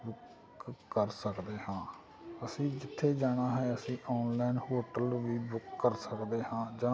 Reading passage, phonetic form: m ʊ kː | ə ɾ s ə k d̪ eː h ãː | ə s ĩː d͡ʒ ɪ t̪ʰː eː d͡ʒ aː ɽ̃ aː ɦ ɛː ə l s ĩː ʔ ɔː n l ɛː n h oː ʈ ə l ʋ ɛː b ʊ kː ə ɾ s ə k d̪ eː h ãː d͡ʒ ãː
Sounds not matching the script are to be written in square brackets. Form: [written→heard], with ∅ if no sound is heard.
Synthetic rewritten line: [m→b] ʊ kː | ə ɾ s ə k d̪ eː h ãː | ə s ĩː d͡ʒ ɪ t̪ʰː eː d͡ʒ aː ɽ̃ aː ɦ ɛː ə [l→∅] s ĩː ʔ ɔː n l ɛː n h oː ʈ ə l ʋ [ɛː→iː] b ʊ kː ə ɾ s ə k d̪ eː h ãː d͡ʒ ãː